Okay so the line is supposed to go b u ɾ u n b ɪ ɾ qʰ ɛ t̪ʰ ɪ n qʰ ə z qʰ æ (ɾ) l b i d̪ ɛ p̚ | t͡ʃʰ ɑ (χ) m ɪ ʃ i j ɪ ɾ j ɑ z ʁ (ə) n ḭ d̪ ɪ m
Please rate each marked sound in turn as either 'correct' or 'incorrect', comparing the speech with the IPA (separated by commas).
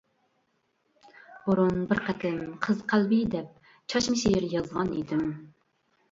incorrect, incorrect, incorrect